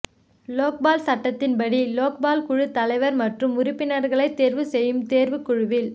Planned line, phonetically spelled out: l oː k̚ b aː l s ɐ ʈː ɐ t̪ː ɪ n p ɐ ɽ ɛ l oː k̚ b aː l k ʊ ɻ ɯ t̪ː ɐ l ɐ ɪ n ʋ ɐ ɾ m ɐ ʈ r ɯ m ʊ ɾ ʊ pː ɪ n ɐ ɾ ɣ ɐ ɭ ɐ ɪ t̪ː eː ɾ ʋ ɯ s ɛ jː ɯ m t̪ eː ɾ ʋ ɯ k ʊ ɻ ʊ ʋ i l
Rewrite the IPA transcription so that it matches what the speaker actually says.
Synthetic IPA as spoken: l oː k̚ b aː l s ɐ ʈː ɐ t̪ː ɪ n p ɐ ɽ i l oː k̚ b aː l k ʊ ɻ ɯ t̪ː ɐ l ɐ ɪ ʋ ɐ ɾ m ɐ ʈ r ɯ m ʊ ɾ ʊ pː ɪ n ɐ ɾ ɣ ɐ ɭ ɐ ɪ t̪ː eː ɾ ʋ ɯ s ɛ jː ɯ m t̪ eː ɾ ʋ ɯ k ʊ ɻ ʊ ʋ ɪ l